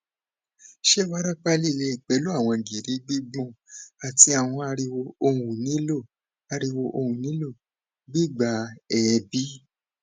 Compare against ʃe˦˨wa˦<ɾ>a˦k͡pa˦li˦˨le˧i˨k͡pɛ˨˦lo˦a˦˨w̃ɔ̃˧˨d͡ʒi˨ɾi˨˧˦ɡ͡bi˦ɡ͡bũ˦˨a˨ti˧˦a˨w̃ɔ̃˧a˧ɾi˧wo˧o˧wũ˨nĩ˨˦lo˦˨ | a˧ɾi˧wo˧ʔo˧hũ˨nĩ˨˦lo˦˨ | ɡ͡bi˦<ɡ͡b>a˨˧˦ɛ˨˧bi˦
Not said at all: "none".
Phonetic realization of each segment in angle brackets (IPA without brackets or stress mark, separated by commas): ɾ, ɡ͡b